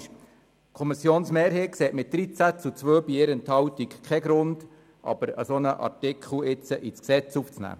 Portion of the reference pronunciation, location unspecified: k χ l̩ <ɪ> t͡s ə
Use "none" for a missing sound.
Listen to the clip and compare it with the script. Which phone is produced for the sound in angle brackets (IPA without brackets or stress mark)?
ɪ